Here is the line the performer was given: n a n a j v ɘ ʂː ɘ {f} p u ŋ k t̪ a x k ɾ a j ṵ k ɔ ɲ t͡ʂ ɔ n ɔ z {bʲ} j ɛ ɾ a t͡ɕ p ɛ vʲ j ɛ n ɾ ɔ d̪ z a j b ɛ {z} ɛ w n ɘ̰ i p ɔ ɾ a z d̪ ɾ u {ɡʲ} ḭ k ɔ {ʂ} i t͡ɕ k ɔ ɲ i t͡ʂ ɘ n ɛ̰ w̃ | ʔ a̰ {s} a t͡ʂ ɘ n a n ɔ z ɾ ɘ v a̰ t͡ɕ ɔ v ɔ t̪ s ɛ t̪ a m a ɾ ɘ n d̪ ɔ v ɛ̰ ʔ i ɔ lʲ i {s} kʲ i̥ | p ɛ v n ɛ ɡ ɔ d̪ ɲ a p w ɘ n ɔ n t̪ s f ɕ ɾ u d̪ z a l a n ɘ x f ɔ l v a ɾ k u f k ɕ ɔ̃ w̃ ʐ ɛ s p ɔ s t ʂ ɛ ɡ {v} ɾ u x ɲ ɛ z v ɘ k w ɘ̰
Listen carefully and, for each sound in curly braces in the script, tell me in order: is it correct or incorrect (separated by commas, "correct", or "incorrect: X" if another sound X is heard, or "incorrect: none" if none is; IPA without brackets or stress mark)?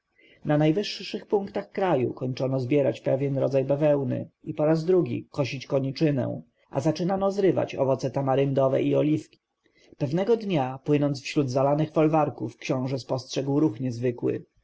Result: incorrect: x, correct, incorrect: v, correct, incorrect: ɕ, incorrect: z, incorrect: f, incorrect: w